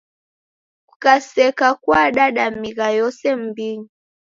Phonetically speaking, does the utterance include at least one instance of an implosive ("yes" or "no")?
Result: yes